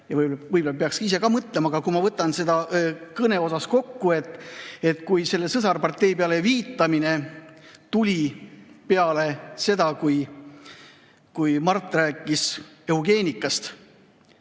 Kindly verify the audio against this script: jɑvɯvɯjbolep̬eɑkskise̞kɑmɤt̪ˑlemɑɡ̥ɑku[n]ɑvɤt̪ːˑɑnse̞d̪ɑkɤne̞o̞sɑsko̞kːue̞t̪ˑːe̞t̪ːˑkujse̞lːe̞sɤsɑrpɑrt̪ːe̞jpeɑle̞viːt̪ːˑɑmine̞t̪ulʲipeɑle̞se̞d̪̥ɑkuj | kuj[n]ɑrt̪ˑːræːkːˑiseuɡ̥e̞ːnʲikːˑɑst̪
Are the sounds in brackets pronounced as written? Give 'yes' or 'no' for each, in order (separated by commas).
no, no